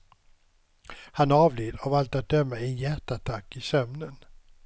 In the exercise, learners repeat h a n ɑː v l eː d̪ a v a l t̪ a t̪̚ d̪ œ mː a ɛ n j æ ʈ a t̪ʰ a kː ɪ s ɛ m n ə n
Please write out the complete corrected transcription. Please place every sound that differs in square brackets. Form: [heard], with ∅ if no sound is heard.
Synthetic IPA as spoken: h a n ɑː v l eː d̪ a v a l t̪ a t̪̚ d̪ œ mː a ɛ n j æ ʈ a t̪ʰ a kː ɪ s [œ] m n ə n